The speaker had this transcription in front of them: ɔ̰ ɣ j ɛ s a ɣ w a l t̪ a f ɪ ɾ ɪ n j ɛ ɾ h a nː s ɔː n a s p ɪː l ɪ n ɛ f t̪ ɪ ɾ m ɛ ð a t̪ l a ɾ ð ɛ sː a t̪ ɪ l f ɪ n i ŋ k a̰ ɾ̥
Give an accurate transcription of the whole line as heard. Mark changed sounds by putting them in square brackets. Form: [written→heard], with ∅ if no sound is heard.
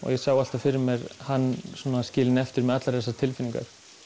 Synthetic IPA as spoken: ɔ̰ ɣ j ɛ s a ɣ w a l t̪ a f ɪ ɾ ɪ [n→m] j ɛ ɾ h a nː s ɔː n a s [p→c] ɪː l ɪ n ɛ f t̪ ɪ ɾ m ɛ ð a t̪ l a ɾ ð ɛ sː a [t̪→t̪ʰ] ɪ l f ɪ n i ŋ k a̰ ɾ̥

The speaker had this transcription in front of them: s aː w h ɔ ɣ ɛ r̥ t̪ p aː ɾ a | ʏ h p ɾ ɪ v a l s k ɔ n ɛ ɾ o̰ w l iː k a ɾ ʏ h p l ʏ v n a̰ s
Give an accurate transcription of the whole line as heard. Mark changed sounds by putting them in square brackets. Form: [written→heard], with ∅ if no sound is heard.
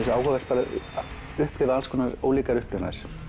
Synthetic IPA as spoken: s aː w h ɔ [ɣ→v] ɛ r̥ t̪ p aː ɾ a | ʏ h p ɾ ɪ v a l s k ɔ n [ɛ→a] ɾ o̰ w l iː k a ɾ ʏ h p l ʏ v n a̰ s

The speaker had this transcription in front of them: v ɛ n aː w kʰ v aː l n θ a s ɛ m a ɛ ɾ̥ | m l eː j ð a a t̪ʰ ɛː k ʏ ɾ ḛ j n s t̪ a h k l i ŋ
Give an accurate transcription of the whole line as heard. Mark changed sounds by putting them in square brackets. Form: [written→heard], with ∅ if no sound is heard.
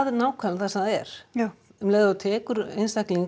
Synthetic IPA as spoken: [v→ð] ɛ n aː w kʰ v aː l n θ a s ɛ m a ɛ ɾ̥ | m l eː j ð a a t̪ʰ ɛː k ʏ ɾ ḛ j n s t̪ a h k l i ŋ

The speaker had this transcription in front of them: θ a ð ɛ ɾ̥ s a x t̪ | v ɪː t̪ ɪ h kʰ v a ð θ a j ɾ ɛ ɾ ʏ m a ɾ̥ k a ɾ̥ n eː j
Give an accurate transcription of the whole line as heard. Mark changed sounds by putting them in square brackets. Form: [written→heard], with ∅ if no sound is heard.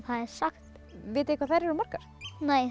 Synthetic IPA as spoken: θ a ð ɛ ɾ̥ s a x t̪ | v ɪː t̪ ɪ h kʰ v a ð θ a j ɾ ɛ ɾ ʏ m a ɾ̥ k a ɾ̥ n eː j

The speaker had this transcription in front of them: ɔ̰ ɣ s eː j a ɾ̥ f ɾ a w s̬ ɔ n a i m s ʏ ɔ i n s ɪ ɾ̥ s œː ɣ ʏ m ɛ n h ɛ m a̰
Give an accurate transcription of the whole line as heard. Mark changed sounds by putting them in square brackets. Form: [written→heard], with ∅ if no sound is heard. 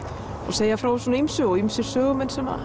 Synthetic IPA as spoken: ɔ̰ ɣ s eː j a [ɾ̥→∅] f ɾ a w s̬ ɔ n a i m s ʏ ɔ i [n→m] s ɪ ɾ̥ s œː ɣ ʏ m ɛ n [h→s] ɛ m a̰

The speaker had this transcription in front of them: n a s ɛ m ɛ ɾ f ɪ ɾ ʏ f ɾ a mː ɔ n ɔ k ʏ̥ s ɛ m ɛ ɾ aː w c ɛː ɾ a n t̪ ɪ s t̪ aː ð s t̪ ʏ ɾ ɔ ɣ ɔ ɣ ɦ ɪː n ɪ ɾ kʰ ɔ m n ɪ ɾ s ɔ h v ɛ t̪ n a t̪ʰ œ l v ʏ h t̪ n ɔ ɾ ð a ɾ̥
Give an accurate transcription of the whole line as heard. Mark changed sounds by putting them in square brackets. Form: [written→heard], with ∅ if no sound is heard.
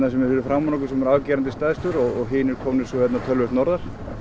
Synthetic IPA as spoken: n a s ɛ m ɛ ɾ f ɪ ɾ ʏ f ɾ a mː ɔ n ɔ k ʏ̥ s ɛ m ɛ ɾ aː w c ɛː ɾ a n t̪ ɪ s t̪ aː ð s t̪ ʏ ɾ ɔ ɣ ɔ ɣ ɦ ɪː n ɪ ɾ kʰ ɔ m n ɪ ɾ s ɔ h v ɛ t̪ n a t̪ʰ œ l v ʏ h t̪ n ɔ ɾ ð a ɾ̥

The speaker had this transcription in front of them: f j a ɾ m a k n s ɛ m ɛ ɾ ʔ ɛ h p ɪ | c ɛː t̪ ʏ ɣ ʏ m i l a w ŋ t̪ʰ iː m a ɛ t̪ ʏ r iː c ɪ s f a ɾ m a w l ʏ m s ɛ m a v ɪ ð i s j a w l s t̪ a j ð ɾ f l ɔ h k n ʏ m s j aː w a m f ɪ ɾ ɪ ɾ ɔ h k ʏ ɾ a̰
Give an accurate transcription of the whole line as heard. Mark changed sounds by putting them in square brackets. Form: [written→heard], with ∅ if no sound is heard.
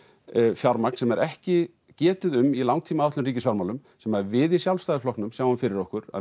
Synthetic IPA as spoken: f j a ɾ m a k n s ɛ m ɛ ɾ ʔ ɛ h [p→c] ɪ | c ɛː t̪ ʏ [ɣ→ð] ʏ m i l a w ŋ t̪ʰ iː m a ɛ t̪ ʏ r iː c ɪ s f a ɾ m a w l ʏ m s ɛ m a v ɪ ð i s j a w l s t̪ a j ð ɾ f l ɔ h k n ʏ m s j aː w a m f ɪ ɾ ɪ ɾ ɔ h k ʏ ɾ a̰

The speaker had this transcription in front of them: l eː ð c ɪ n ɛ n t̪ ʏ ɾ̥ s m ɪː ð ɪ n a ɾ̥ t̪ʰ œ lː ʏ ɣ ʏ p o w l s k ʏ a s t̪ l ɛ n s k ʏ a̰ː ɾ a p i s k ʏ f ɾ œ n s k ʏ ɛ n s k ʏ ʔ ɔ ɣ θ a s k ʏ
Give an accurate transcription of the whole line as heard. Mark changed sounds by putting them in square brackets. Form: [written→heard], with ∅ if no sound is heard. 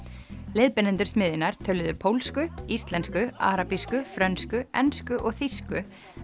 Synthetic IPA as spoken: l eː ð [c→p] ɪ n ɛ n t̪ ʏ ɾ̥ s m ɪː ð ɪ n a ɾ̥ t̪ʰ œ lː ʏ [ɣ→ð] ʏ [p→pʰ] o w l s k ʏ [a→i] s t̪ l ɛ n s k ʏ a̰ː ɾ a p i s k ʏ f ɾ œ n s k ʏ ɛ n s k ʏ ʔ ɔ ɣ θ [a→i] s k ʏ

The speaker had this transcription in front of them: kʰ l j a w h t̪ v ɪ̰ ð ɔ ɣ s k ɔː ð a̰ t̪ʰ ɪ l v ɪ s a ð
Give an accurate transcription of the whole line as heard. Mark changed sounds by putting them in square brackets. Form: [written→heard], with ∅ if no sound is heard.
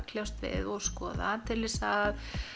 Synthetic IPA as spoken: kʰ l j a w [h→s] t̪ v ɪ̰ ð ɔ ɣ s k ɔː ð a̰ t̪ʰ ɪ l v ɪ s a ð

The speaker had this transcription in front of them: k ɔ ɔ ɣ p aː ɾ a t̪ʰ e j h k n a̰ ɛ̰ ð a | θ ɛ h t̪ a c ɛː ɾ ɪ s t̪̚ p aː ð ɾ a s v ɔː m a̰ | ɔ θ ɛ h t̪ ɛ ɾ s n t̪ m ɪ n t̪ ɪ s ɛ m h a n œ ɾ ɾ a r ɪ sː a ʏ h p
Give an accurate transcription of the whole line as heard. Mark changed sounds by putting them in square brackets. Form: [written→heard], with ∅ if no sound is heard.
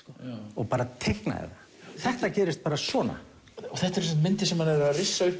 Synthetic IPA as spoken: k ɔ ɔ ɣ p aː ɾ a t̪ʰ e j h k n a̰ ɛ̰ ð a | θ ɛ h t̪ a c ɛː ɾ ɪ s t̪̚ p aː [ð→∅] ɾ a s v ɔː [m→n] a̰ | ɔ θ ɛ h t̪ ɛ ɾ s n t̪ m ɪ n t̪ ɪ s ɛ m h a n [œ→ɛ] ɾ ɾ a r ɪ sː a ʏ h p

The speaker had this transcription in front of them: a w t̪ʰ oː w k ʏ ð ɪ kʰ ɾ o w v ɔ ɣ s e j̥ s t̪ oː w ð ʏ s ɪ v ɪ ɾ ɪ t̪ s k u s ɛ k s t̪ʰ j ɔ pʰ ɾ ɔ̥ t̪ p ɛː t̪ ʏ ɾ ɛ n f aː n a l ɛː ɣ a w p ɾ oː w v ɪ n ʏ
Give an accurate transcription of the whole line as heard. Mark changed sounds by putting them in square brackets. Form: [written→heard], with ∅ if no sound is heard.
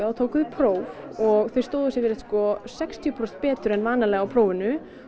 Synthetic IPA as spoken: a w t̪ʰ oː w k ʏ ð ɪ [kʰ→pʰ] ɾ o w v ɔ ɣ [s→θ] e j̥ s t̪ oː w ð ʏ s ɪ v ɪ ɾ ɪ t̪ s k [u→ɔ] s ɛ k s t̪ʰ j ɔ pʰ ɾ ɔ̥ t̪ p ɛː t̪ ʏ ɾ ɛ n [f→v] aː n a l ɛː ɣ a w [p→pʰ] ɾ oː w v ɪ n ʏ

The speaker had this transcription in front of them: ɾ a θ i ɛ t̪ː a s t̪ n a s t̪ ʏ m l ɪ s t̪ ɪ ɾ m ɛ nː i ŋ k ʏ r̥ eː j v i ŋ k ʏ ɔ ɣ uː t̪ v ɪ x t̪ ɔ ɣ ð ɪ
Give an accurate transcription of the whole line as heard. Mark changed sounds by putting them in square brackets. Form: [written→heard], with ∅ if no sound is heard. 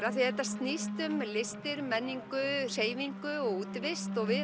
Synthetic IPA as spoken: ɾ a θ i ɛ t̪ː a s t̪ n [a→i] s t̪ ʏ m l ɪ s t̪ ɪ ɾ m ɛ nː i ŋ k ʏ r̥ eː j v i ŋ k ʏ ɔ ɣ uː t̪ v ɪ [x→s] t̪ ɔ ɣ [ð→v] ɪ

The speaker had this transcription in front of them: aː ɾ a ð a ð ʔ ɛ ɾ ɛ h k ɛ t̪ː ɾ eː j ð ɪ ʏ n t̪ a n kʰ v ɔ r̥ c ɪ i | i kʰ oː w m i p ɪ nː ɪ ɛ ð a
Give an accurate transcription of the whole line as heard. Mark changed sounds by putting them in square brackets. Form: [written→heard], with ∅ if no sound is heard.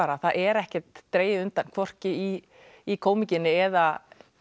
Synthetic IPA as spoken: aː ɾ a [ð→θ] a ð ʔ ɛ ɾ ɛ h [k→c] ɛ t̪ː ɾ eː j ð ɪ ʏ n t̪ a n kʰ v ɔ r̥ c ɪ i | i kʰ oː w m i [p→c] ɪ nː ɪ ɛ ð a

